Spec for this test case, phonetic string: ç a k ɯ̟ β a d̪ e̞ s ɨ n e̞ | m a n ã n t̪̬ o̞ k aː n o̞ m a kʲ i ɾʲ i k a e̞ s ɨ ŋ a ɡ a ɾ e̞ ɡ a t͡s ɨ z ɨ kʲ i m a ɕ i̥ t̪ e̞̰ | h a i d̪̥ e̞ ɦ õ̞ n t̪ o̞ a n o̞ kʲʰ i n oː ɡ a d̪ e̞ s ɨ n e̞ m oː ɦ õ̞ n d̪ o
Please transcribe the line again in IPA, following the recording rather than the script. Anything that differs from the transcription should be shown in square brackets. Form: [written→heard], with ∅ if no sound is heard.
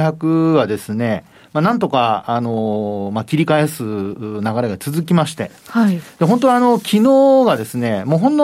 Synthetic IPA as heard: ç a k ɯ̟ β a d̪ e̞ s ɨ n e̞ | m a n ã n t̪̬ o̞ k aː n o̞ m a kʲ i ɾʲ i k a e̞ s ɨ [ŋ→n] a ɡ a ɾ e̞ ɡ a t͡s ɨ z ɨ kʲ i m a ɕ i̥ t̪ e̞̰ | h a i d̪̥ e̞ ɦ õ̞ n t̪ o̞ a n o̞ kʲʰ i n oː ɡ a d̪ e̞ s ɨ n e̞ m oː ɦ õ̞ n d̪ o